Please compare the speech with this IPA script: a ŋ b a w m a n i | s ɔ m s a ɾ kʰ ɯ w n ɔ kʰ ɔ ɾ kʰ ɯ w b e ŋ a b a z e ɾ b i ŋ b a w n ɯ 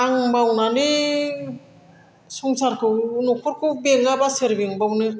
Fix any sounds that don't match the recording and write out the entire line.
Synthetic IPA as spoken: a ŋ b a w n a n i | s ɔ ŋ s a ɾ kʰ ɯ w n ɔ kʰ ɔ ɾ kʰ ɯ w b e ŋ a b a s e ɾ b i ŋ b a w n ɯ